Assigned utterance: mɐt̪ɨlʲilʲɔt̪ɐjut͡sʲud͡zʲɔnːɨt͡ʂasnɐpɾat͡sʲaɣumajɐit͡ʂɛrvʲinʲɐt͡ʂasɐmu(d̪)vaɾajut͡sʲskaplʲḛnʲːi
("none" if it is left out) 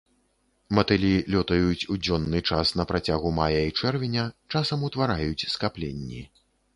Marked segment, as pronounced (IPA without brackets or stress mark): t̪